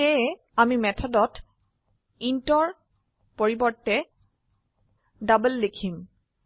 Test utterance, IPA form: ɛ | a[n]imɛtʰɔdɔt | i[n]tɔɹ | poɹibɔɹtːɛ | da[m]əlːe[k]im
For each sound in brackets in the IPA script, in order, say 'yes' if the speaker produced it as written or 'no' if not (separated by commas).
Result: no, yes, no, no